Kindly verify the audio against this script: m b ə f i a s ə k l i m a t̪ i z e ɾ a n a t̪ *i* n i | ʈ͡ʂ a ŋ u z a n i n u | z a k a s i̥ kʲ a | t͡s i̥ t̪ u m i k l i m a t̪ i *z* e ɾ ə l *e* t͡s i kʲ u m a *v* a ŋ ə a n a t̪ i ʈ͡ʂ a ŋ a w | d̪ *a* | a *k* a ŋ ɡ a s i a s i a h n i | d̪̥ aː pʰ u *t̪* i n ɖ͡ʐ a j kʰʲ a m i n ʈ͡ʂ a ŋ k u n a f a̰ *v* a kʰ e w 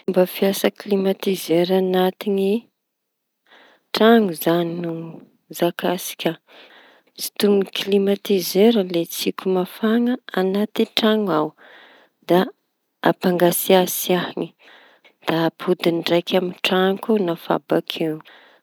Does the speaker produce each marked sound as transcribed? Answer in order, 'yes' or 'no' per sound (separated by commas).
yes, yes, yes, no, yes, no, no, no